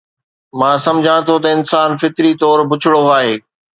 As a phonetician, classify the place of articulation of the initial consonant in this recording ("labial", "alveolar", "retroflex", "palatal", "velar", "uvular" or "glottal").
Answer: labial